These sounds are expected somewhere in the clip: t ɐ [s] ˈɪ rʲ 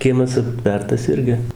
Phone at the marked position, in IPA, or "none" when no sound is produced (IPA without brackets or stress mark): s